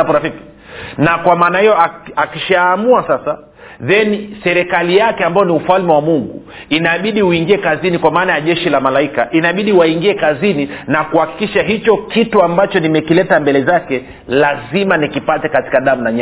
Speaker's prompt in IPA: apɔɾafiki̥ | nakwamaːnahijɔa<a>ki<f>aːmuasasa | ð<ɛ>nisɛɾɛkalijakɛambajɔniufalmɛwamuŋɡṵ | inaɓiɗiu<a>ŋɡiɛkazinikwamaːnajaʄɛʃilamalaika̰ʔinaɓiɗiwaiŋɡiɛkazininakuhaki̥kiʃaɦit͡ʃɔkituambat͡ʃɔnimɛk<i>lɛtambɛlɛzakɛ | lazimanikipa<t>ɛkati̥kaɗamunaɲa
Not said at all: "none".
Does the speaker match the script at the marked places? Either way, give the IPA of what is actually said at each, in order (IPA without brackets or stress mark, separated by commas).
a, ʃ, ɛ, i, i, t